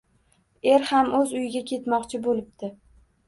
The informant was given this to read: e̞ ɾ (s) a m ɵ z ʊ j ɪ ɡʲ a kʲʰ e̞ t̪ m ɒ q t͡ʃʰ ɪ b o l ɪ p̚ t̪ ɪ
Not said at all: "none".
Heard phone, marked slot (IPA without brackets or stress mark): h